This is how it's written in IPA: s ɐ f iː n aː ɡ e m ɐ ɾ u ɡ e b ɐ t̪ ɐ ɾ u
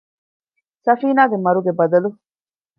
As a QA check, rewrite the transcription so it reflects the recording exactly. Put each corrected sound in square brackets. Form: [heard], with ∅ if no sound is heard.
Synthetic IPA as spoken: s ɐ f iː n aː ɡ e m ɐ ɾ u ɡ e b ɐ [d̪] ɐ [l] u